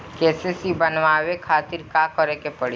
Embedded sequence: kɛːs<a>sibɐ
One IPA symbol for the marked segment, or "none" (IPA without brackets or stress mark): e